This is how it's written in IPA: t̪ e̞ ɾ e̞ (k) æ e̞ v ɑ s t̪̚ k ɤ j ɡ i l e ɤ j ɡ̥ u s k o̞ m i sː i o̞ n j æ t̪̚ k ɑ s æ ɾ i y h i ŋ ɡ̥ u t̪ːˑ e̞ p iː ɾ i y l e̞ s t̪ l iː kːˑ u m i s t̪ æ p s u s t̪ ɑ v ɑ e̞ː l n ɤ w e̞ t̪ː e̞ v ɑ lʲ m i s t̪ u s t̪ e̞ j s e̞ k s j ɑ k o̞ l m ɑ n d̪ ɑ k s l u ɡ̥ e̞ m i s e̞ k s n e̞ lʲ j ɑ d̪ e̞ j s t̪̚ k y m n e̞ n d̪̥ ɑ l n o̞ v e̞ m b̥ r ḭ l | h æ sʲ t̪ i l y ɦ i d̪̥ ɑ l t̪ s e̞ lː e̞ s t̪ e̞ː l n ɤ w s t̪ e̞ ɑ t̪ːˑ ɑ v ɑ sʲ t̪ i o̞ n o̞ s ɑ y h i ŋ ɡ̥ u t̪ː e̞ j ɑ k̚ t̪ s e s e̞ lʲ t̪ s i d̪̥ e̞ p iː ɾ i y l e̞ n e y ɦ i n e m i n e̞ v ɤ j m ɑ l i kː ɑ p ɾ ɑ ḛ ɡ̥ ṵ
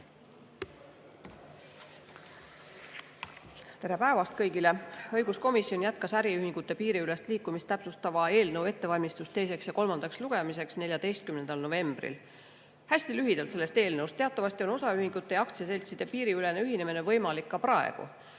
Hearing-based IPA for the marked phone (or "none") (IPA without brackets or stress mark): p